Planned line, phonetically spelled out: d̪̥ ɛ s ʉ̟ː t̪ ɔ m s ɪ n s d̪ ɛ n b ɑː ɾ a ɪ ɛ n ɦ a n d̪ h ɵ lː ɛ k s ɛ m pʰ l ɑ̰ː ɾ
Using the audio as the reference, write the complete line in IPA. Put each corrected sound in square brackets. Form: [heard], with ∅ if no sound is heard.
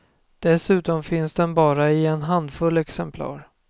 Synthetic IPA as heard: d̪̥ ɛ s ʉ̟ː t̪ ɔ m [f] ɪ n s d̪ ɛ n b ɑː ɾ a ɪ ɛ n ɦ a n d̪ [f] ɵ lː ɛ k s ɛ m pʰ l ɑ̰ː ɾ